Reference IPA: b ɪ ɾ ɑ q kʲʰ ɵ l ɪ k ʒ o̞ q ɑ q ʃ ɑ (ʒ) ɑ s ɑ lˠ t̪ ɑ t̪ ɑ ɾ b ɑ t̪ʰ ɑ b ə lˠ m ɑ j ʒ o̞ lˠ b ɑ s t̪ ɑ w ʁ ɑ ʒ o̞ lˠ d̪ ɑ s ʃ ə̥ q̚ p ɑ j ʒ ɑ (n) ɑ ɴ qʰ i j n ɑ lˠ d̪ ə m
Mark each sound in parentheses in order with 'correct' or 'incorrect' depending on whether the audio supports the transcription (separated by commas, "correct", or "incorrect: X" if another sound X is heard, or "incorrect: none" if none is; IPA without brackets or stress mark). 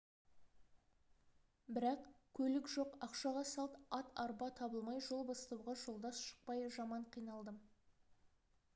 incorrect: ʁ, incorrect: m